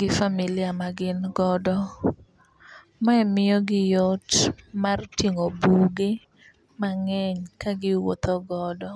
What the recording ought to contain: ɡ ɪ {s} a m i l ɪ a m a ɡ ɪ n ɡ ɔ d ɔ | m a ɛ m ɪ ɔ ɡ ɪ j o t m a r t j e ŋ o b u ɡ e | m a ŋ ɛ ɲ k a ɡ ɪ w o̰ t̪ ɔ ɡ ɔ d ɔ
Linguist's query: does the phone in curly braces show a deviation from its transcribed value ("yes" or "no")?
yes